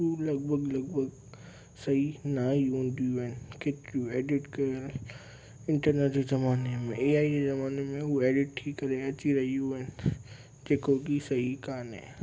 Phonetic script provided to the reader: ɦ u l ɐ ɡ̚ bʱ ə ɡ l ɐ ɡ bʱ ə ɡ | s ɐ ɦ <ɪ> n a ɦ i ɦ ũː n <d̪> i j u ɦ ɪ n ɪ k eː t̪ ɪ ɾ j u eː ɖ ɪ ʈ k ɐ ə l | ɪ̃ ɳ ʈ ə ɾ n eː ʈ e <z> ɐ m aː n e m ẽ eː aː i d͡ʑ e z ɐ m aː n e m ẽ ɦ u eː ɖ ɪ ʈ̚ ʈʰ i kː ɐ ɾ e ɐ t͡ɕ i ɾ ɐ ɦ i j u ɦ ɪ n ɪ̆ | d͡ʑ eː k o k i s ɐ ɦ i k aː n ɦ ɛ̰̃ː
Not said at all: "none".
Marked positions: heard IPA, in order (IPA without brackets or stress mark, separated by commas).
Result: i, d̪, z